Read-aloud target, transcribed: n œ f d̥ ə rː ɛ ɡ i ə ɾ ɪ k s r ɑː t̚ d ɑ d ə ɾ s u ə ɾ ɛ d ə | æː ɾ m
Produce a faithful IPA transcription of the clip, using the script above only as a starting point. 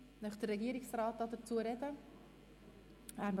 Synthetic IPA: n œ χ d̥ ə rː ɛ ɡ i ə ɾ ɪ k s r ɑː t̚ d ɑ d ə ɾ t͡s u ə ɾ ɛ d ə | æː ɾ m